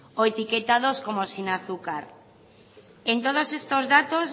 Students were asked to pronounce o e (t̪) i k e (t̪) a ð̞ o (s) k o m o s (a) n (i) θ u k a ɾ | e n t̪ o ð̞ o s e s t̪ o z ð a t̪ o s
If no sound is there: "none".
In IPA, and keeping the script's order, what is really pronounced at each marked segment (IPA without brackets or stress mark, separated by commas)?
t̪, t̪, s, i, a